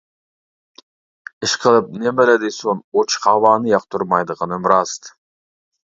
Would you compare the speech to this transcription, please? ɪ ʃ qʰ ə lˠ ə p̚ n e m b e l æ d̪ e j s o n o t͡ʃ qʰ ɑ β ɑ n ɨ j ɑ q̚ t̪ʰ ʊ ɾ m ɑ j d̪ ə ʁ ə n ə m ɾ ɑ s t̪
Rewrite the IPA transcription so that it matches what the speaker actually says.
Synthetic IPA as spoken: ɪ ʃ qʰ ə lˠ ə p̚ n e m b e l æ d̪ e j s o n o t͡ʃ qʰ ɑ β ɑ n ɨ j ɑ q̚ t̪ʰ ʊ ɾ m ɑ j d̪ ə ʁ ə n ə m ɾ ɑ s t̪